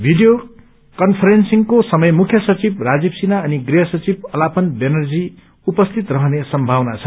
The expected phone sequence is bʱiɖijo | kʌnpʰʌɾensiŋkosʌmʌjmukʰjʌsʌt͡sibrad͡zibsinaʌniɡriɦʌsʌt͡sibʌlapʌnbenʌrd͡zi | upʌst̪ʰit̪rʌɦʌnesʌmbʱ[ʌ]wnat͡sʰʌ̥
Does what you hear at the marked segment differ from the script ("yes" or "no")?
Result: yes